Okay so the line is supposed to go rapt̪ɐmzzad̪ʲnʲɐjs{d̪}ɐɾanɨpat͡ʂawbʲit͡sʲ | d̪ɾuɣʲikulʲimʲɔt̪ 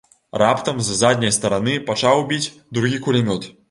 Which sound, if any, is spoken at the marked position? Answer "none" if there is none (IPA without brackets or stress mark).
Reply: t̪